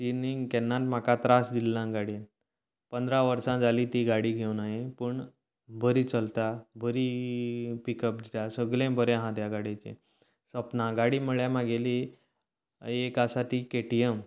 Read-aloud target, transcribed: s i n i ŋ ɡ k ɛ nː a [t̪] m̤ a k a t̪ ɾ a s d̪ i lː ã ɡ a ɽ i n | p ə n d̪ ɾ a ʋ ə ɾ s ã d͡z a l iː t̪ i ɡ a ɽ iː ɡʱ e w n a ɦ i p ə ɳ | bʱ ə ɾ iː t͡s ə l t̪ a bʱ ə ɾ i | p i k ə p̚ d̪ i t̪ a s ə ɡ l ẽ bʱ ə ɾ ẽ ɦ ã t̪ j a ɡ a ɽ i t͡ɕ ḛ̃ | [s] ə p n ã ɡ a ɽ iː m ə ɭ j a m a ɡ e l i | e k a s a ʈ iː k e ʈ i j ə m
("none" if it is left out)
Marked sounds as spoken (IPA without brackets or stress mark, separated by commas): t̪, s